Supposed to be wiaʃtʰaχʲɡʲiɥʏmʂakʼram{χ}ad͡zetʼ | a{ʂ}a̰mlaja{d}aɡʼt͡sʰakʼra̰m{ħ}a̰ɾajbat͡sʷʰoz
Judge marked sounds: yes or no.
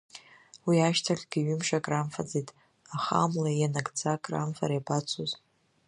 no, no, no, no

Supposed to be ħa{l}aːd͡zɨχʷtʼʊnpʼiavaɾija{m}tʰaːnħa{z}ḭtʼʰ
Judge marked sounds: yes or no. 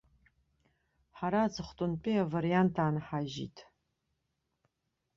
no, no, no

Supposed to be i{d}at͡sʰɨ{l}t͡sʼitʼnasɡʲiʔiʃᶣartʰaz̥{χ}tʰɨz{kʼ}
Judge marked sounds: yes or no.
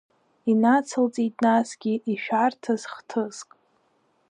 no, yes, yes, yes

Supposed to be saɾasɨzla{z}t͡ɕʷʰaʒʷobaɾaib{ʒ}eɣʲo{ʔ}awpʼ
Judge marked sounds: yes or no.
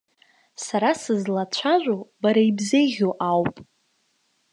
no, no, yes

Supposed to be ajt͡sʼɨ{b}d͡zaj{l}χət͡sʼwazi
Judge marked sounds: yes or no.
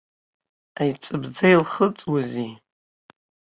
yes, yes

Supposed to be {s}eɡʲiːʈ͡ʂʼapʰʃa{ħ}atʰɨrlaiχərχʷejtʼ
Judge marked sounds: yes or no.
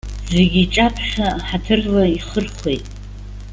no, yes

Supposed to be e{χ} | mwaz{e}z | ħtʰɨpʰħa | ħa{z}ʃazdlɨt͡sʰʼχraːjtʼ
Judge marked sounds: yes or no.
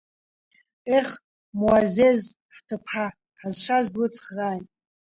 yes, yes, yes

